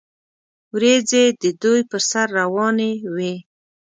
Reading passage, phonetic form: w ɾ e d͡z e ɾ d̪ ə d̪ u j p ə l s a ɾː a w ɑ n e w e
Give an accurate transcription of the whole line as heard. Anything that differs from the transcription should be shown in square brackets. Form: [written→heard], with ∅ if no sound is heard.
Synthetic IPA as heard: w ɾ e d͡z e [ɾ→∅] d̪ ə d̪ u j p ə [l→ɾ] s a ɾː a w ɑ n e w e